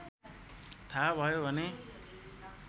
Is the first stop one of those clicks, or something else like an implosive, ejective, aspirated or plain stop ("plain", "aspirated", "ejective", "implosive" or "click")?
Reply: aspirated